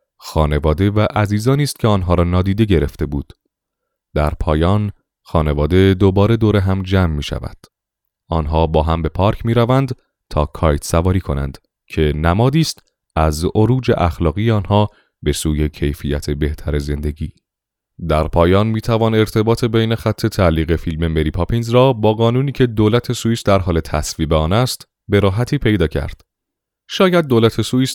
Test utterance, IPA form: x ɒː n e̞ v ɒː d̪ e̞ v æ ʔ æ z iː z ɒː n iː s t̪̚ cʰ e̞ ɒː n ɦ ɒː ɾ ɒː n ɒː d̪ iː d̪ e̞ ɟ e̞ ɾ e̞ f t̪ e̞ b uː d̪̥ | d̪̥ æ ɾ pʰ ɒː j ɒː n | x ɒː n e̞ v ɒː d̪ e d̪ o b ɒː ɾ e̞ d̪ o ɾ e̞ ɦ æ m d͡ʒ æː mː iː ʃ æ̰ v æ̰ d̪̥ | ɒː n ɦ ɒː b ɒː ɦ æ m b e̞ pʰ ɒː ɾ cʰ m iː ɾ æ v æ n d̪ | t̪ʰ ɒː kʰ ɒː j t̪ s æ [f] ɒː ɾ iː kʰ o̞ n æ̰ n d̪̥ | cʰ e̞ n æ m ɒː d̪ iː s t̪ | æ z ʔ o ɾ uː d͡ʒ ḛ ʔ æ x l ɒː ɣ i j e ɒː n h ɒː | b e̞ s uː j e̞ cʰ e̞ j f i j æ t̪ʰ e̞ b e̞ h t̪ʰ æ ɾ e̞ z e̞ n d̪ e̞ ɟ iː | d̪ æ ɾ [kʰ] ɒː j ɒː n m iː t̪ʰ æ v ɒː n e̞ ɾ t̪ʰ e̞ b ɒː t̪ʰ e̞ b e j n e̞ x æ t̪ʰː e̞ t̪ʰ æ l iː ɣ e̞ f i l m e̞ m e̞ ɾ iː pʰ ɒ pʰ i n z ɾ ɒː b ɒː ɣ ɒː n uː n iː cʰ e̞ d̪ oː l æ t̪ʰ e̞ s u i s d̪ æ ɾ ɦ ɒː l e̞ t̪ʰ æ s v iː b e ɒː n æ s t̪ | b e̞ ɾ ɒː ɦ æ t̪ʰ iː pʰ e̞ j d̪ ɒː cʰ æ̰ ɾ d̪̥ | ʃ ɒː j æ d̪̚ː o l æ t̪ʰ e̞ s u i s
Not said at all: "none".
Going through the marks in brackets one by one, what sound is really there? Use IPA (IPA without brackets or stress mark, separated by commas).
v, pʰ